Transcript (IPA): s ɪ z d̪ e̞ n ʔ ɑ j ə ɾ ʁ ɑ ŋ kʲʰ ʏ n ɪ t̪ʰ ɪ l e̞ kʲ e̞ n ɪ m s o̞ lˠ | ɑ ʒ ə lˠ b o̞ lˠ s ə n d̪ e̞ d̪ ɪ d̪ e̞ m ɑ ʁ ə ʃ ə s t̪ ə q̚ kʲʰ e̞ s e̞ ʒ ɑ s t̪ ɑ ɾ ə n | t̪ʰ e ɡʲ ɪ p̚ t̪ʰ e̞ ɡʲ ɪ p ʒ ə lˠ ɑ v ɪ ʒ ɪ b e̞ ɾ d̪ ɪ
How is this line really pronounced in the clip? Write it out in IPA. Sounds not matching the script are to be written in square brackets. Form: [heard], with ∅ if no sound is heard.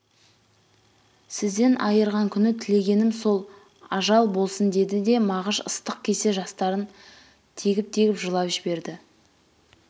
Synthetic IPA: s ɪ z d̪ e̞ n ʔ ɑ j ə ɾ ʁ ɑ ŋ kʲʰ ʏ n ɪ t̪ʰ ɪ l e̞ [ɡʲ] e̞ n ɪ m s o̞ lˠ | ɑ ʒ [ɑ] lˠ b o̞ lˠ s ə n d̪ e̞ d̪ ɪ d̪ e̞ m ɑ ʁ ə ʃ ə s t̪ ə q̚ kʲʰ e̞ s e̞ ʒ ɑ s t̪ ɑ ɾ ə n | t̪ʰ e ɡʲ ɪ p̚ t̪ʰ e̞ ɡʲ ɪ p ʒ ə lˠ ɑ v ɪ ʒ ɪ b e̞ ɾ d̪ ɪ